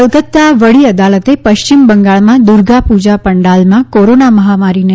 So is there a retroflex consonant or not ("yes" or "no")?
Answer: yes